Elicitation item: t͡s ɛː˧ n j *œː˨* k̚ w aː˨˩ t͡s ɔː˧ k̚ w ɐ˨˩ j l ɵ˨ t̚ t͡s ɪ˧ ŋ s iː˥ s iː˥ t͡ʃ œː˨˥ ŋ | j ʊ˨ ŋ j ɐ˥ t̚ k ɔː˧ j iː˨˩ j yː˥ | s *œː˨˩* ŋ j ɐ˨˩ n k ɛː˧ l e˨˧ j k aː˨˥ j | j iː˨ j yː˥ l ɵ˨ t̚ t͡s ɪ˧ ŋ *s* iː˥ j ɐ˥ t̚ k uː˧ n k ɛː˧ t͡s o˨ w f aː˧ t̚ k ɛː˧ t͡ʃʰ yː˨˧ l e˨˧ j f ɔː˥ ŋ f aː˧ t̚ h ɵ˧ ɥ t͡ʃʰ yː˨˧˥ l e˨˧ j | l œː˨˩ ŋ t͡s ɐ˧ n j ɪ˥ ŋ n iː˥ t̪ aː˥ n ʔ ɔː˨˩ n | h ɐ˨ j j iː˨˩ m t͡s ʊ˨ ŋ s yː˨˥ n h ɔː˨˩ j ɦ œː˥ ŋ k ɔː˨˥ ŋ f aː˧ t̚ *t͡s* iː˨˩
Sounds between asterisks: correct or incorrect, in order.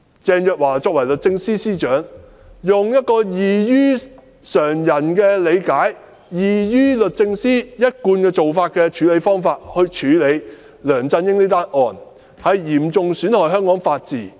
correct, correct, correct, correct

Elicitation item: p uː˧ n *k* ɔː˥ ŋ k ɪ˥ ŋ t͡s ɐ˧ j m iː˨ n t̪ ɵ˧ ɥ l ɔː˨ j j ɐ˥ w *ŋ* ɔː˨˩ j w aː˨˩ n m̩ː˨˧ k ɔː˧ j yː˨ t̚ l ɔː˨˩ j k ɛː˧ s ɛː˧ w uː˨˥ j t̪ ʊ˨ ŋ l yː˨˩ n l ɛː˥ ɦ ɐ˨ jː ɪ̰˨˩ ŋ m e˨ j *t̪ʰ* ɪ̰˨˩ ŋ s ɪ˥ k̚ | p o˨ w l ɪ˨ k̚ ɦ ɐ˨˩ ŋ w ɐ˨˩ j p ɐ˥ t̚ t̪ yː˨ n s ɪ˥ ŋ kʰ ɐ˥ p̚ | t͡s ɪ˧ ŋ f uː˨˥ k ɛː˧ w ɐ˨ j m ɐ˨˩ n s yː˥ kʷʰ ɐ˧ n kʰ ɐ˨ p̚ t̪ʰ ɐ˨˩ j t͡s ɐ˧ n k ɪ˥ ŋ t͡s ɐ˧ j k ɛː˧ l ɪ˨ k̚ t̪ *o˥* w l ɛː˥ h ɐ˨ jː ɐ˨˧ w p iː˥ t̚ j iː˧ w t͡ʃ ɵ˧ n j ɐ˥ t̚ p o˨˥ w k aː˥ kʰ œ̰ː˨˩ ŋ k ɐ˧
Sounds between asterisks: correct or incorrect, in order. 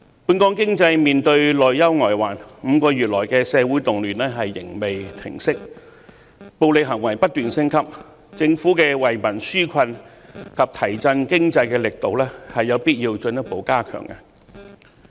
correct, correct, correct, incorrect

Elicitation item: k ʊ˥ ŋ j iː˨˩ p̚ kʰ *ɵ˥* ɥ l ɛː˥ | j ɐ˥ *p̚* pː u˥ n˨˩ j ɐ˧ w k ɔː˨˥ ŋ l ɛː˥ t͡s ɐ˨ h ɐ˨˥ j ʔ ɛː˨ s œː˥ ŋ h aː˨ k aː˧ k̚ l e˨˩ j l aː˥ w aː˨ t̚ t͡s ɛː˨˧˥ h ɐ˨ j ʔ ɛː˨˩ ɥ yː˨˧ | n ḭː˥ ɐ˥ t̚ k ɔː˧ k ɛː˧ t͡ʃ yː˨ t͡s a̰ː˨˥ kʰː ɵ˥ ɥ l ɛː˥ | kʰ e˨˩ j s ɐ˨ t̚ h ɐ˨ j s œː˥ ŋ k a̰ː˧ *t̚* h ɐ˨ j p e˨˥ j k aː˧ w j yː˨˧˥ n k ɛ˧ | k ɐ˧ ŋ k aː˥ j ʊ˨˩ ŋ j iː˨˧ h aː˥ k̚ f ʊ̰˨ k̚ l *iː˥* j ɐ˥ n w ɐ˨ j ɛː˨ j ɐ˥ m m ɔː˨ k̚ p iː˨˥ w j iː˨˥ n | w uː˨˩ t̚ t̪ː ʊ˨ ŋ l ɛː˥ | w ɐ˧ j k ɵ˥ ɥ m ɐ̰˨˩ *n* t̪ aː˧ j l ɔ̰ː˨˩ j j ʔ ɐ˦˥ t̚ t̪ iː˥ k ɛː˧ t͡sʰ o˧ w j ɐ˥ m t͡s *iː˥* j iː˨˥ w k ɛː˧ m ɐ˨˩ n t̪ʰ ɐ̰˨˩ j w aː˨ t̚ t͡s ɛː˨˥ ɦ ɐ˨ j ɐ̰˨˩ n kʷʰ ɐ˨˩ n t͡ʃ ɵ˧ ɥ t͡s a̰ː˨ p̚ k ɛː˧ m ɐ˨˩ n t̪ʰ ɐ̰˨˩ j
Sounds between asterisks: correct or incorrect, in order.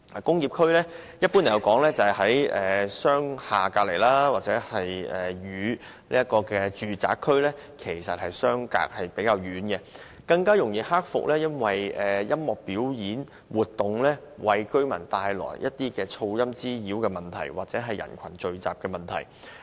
correct, incorrect, incorrect, incorrect, correct, correct

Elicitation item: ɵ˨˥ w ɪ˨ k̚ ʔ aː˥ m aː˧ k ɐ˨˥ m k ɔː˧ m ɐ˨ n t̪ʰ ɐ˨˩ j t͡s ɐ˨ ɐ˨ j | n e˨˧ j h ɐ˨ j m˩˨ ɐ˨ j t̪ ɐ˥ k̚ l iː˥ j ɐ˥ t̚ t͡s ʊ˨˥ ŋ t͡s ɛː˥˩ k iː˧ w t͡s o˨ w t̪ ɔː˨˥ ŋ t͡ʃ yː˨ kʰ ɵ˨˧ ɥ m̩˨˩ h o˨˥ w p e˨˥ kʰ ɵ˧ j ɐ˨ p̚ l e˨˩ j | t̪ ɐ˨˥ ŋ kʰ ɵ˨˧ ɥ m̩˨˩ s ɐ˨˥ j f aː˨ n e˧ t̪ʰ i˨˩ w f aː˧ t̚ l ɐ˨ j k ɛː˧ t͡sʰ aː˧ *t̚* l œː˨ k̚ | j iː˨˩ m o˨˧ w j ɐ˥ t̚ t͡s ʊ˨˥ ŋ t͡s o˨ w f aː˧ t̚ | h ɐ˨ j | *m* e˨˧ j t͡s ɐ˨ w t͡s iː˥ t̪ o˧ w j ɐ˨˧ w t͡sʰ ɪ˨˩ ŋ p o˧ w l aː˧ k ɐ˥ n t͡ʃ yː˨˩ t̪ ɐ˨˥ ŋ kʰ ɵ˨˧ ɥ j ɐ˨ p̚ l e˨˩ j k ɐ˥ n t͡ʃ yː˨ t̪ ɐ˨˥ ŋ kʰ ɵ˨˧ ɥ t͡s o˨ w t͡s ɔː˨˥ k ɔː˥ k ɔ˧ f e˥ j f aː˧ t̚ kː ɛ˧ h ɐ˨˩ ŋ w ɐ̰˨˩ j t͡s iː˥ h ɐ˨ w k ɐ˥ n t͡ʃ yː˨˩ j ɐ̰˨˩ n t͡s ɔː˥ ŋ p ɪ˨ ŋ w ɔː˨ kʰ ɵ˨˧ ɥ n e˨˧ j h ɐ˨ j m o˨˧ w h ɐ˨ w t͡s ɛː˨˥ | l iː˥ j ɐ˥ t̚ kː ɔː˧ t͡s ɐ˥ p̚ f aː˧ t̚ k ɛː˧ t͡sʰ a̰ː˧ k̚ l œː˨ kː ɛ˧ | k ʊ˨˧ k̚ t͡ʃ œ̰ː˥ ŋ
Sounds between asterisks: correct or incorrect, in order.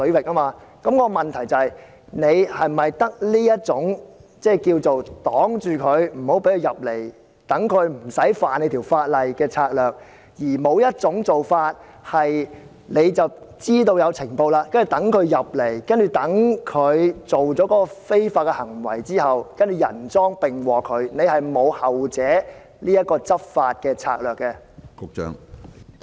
incorrect, incorrect

